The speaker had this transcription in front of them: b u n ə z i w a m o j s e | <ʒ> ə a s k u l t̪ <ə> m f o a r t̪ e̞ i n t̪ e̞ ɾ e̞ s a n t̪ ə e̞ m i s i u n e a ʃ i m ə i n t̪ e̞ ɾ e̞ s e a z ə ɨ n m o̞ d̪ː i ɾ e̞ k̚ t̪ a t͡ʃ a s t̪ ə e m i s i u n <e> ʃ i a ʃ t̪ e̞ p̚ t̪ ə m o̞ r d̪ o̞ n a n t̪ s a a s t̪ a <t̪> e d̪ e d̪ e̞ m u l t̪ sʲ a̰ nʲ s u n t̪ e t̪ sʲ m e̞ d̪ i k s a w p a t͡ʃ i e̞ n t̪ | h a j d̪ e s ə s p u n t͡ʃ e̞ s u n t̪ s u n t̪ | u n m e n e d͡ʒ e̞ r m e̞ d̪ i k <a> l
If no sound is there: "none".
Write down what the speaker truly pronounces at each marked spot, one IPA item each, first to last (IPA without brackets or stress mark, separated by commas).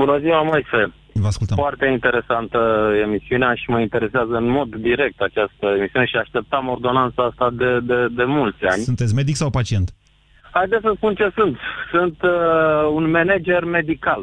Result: v, ə, e, d̪, a